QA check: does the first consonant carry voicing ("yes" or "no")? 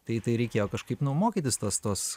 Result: no